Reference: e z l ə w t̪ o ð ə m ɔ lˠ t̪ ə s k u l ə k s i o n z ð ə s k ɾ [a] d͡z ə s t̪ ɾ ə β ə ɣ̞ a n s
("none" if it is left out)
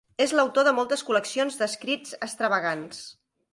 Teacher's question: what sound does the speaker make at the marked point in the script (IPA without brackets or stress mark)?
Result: i